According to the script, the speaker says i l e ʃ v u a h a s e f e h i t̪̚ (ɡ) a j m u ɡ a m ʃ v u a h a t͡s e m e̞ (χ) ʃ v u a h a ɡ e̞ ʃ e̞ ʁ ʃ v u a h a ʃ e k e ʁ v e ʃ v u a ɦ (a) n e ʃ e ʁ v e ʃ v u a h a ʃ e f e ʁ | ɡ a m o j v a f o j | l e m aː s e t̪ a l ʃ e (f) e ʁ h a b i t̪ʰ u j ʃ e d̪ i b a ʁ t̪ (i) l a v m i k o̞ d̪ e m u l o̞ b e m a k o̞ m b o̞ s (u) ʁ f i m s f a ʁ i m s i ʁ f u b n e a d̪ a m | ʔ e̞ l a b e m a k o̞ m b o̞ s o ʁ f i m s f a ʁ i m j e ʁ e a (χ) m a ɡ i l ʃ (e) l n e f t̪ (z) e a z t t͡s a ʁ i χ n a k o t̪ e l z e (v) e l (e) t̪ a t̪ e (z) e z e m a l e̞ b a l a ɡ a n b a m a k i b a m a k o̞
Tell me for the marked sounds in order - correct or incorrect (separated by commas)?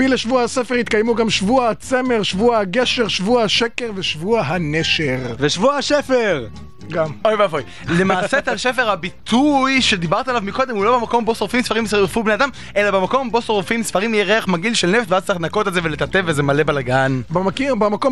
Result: incorrect, incorrect, correct, correct, incorrect, incorrect, correct, correct, incorrect, correct, correct, incorrect